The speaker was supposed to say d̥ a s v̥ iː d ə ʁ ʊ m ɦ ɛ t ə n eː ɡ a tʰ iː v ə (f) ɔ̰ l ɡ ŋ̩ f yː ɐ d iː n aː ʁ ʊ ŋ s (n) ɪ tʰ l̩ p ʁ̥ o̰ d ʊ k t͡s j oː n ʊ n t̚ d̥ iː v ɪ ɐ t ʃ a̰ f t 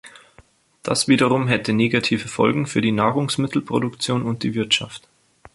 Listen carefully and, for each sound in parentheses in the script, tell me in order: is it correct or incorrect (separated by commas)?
correct, incorrect